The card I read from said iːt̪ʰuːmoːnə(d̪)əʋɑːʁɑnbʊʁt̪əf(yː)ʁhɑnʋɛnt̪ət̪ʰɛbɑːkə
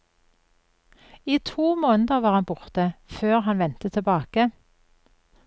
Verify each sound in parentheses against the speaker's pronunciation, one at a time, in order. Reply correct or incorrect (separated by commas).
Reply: correct, incorrect